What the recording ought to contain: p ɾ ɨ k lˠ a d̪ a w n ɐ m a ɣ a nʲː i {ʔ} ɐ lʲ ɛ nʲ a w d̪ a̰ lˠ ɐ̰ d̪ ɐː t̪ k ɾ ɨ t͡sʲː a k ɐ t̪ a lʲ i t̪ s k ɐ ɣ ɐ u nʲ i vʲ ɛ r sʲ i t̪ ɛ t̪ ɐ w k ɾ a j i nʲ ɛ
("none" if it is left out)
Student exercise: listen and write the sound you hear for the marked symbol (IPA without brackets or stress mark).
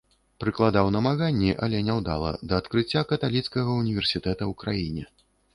ʔ